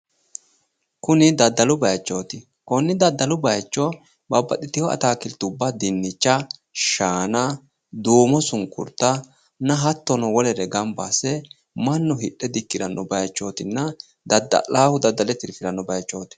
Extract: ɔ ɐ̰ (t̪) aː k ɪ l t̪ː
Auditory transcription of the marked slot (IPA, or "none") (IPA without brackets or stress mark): t̪